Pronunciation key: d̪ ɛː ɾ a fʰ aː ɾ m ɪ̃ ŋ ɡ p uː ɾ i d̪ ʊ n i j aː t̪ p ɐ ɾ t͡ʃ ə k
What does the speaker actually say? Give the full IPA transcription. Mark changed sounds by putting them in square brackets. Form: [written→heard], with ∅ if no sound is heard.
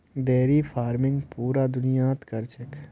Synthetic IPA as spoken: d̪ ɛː ɾ [a→i] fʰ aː ɾ m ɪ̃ ŋ ɡ p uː ɾ [i→a] d̪ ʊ n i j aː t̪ [p→k] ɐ ɾ t͡ʃ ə k